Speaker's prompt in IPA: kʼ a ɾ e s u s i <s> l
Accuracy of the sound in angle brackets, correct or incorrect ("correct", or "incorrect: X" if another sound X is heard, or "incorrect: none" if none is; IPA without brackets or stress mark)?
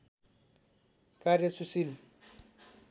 incorrect: none